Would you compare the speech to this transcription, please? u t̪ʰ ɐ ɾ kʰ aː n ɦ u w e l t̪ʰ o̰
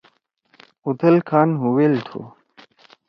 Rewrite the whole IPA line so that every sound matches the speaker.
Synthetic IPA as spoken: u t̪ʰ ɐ l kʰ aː n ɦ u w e l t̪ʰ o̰